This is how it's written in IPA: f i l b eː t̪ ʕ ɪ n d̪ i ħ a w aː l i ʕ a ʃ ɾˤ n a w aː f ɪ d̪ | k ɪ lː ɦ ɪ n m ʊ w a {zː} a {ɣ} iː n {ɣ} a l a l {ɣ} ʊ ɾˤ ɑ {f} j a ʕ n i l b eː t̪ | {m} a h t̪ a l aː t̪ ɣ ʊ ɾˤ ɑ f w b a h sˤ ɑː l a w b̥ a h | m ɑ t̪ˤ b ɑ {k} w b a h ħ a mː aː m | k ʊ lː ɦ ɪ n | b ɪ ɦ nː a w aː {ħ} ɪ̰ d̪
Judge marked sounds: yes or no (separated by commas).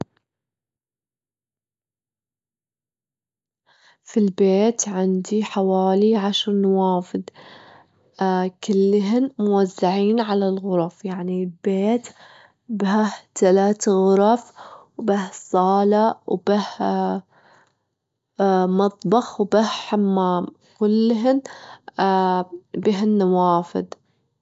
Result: yes, no, no, yes, yes, no, no, no